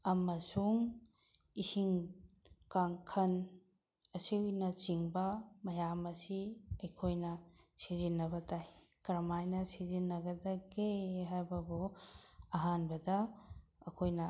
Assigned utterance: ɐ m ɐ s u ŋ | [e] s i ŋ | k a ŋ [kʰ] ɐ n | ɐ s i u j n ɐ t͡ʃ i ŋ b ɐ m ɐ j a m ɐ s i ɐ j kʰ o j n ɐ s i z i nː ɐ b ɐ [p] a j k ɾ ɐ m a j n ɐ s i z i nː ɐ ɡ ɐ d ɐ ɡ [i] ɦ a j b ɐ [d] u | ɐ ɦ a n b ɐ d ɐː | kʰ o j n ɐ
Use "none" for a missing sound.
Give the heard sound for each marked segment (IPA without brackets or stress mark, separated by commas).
i, kʰ, t, e, b